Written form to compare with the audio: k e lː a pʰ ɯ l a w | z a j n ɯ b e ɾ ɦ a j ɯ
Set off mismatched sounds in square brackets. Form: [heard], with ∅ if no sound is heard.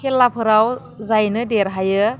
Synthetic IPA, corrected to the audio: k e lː a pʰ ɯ [ɾ] a w | z a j n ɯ [d] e ɾ ɦ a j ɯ